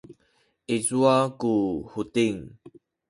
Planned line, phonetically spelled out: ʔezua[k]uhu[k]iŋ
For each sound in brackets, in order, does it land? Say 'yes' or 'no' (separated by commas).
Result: yes, no